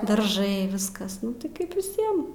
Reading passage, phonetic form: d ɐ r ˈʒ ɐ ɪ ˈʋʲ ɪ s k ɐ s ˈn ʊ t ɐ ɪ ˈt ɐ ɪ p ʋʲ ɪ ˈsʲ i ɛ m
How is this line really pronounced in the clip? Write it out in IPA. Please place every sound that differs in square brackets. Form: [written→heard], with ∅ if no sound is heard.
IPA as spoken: d ɐ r ˈʒ ɐ ɪ ˈʋʲ ɪ s k ɐ s ˈn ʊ t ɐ ɪ [ˈt→ˈk] ɐ ɪ p ʋʲ ɪ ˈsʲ i ɛ m